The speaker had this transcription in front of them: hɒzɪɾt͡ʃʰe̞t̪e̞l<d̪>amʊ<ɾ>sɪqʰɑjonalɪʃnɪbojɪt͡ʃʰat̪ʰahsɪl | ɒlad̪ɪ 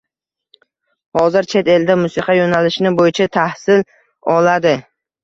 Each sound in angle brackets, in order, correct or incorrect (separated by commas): correct, incorrect